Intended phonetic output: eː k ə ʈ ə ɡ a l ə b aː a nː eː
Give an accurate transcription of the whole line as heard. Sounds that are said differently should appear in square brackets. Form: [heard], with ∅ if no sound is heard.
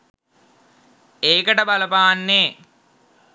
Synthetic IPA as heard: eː k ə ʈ ə [b] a l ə [p] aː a nː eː